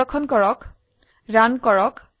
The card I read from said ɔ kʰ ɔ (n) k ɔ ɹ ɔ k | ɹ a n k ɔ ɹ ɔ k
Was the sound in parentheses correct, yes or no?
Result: yes